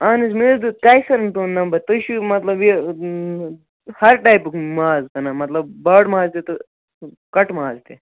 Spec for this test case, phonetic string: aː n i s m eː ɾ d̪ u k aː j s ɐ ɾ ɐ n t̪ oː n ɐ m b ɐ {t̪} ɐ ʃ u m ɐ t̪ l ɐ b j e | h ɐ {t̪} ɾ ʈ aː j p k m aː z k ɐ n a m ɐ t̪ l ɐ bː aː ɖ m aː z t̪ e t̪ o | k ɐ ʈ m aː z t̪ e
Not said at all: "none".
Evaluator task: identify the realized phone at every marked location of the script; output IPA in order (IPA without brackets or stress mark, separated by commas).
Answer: t̪, none